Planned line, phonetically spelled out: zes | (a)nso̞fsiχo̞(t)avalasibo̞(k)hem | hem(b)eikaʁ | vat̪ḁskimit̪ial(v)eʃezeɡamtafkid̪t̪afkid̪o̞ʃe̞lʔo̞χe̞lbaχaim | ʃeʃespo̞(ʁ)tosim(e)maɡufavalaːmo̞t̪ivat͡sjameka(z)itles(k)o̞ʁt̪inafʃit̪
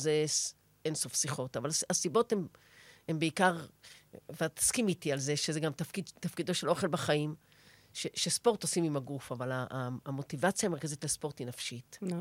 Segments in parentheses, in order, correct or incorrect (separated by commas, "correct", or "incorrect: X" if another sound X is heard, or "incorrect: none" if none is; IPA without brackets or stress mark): incorrect: e, correct, incorrect: t, correct, incorrect: z, correct, incorrect: i, correct, incorrect: p